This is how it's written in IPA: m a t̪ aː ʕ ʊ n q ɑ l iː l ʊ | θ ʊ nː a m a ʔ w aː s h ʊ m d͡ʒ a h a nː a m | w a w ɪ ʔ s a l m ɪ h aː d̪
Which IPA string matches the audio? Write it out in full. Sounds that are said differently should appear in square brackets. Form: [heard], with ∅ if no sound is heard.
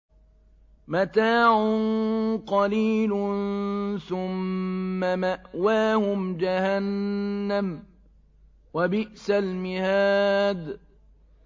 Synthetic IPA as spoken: m a t̪ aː ʕ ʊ n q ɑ l iː l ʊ | θ ʊ [mː] a m a ʔ w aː [∅] h ʊ m d͡ʒ a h a nː a m | w a [b] ɪ ʔ s a l m ɪ h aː d̪